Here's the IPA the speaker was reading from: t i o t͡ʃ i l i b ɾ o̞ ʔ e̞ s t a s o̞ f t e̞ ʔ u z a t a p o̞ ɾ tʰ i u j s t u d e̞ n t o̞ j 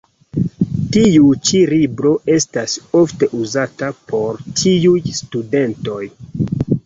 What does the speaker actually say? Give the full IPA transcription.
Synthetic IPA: t i u t͡ʃ i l i b ɾ o̞ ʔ e̞ s t a s o̞ f t e̞ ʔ u z a t a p o̞ ɾ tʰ i u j s t u d e̞ n t o̞ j